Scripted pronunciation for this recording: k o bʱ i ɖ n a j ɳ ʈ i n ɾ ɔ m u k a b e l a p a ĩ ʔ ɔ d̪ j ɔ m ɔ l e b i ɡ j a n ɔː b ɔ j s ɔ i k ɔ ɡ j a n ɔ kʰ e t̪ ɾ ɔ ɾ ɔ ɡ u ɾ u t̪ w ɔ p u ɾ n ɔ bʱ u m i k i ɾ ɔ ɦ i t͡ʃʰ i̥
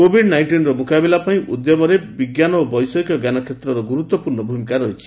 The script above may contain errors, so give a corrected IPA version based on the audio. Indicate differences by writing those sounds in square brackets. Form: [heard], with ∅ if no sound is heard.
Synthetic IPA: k o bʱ i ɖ n a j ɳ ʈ i n ɾ ɔ m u k a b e l a p a ĩ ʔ [u] d̪ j ɔ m ɔ [ɾ] e b i ɡ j a n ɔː b ɔ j s ɔ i k ɔ ɡ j a n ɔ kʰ e t̪ ɾ ɔ ɾ ɔ ɡ u ɾ u t̪ w ɔ p u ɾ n ɔ bʱ u m i k [a] ɾ ɔ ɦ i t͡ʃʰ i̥